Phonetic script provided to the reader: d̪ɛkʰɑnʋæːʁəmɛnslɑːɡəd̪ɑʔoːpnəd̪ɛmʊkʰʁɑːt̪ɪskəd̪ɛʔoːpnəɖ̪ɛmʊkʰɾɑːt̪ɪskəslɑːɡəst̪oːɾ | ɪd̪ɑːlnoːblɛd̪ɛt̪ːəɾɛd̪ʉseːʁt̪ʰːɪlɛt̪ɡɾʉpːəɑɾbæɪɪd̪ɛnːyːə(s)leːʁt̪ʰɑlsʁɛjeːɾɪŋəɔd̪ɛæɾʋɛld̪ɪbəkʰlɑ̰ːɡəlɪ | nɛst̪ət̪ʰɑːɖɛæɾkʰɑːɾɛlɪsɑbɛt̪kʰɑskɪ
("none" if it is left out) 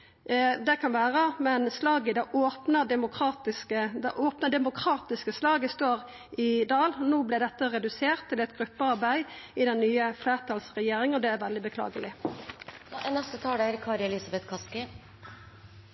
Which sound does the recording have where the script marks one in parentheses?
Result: f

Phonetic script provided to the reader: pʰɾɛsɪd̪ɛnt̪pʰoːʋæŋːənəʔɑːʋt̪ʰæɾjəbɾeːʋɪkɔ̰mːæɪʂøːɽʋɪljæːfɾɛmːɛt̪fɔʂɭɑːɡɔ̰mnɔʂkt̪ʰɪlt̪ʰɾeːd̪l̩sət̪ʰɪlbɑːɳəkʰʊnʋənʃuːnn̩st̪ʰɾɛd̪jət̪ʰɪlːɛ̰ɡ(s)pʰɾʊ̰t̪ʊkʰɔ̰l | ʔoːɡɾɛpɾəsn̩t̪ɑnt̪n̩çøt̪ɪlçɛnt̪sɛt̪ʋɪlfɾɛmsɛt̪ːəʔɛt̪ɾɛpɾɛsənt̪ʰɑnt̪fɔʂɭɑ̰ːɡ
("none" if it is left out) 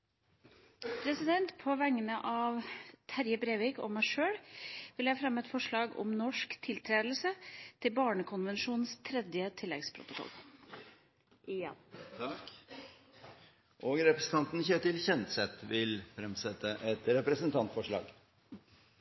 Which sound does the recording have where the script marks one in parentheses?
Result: s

